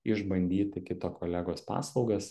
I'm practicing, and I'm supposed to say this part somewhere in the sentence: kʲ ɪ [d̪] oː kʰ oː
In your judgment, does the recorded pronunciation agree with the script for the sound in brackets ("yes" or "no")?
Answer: no